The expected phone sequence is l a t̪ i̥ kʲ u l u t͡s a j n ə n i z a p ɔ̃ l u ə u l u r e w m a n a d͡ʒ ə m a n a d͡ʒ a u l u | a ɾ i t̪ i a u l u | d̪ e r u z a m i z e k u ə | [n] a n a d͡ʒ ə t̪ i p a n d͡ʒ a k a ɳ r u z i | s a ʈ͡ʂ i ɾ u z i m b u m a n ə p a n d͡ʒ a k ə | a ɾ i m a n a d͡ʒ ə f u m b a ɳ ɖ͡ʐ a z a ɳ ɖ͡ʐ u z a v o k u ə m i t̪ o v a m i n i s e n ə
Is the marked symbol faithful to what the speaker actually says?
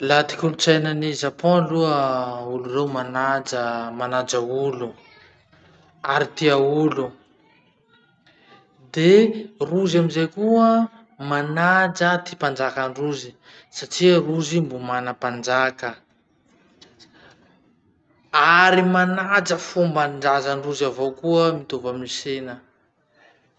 no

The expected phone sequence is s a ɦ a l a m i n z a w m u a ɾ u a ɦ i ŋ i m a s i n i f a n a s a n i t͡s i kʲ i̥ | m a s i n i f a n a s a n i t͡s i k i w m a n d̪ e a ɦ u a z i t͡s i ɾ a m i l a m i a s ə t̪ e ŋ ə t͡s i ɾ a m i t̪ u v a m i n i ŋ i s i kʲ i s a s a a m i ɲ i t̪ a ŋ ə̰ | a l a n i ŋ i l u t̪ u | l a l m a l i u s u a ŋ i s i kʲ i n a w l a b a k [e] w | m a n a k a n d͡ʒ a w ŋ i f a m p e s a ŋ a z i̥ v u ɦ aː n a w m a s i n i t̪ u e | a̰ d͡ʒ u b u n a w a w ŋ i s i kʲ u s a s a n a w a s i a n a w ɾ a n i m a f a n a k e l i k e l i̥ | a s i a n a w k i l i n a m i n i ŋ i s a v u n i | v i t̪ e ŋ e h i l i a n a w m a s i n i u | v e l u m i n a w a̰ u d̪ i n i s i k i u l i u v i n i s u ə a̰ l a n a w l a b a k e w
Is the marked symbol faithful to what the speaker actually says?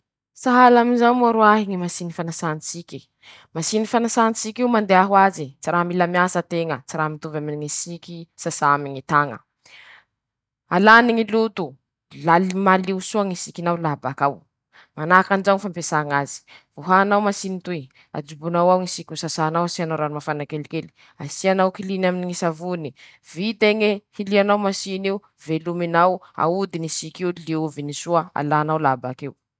no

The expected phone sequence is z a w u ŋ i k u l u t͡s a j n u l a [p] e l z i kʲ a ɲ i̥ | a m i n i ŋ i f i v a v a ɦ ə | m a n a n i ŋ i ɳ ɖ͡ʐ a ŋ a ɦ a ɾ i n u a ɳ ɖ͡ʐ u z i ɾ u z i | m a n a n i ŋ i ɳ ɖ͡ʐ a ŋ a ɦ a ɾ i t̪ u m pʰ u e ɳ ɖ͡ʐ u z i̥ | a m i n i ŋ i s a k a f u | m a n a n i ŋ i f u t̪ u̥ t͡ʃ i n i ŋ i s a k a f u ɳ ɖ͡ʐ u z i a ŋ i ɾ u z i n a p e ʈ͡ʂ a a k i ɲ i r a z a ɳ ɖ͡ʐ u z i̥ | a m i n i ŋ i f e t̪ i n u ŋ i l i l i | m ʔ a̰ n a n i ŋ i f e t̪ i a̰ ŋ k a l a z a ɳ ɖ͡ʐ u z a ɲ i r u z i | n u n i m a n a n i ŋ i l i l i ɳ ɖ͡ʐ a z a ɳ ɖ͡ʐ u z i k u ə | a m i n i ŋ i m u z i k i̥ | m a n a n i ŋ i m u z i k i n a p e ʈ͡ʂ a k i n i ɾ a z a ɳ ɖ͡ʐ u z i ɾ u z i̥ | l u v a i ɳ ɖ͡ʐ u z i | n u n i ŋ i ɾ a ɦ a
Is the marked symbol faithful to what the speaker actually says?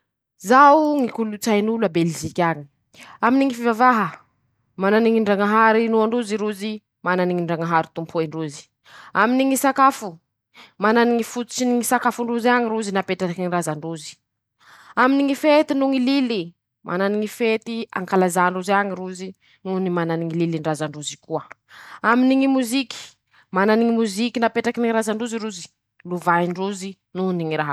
no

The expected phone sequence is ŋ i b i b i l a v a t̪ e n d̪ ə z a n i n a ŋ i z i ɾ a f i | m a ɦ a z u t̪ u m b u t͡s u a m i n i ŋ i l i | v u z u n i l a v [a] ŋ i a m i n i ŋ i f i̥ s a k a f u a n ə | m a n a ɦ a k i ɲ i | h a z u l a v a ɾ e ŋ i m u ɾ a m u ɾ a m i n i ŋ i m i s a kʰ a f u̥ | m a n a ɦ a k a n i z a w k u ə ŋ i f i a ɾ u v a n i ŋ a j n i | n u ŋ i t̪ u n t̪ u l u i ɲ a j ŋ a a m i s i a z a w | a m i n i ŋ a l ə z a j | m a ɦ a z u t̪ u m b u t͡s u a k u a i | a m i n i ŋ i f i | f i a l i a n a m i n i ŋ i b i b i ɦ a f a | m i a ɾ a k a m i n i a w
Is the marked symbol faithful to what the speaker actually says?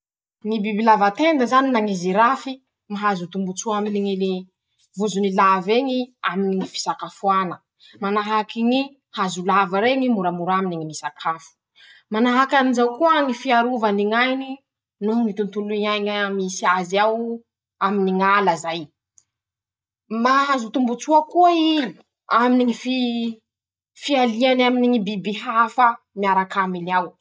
no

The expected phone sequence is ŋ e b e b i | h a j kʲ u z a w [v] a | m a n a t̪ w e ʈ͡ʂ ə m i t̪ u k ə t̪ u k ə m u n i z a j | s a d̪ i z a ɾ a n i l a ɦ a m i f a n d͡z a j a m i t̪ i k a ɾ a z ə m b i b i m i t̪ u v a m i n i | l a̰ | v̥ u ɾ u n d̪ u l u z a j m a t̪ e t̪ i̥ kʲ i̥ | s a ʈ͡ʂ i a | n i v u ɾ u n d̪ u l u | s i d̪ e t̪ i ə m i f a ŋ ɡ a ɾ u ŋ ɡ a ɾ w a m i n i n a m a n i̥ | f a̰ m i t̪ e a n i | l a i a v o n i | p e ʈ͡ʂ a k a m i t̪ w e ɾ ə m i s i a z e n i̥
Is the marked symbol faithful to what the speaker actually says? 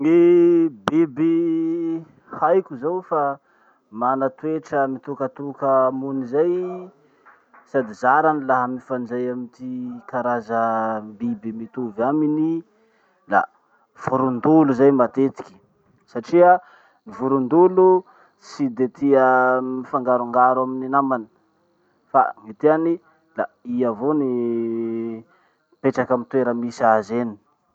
no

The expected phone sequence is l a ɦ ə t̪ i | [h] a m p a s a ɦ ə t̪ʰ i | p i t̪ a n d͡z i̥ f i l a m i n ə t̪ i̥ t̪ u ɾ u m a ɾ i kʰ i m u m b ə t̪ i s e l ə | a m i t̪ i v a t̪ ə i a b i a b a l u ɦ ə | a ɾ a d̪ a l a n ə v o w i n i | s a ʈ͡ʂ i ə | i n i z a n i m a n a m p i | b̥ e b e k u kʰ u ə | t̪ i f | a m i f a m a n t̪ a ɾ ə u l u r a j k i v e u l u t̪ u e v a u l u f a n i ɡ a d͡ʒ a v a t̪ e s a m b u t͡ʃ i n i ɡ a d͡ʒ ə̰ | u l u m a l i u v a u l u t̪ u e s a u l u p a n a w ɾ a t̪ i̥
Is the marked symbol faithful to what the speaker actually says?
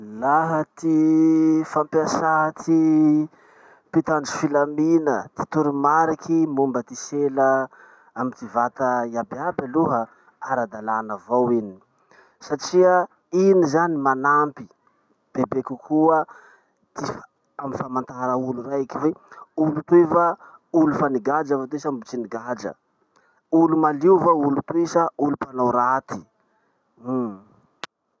no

